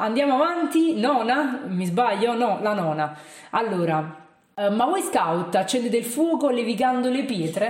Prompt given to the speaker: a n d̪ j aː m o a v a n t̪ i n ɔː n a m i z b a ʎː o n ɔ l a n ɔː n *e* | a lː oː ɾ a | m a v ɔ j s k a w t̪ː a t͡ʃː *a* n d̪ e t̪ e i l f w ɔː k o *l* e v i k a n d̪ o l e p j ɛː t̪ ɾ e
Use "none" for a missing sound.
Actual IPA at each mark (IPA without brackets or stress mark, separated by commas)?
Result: a, ɛ, l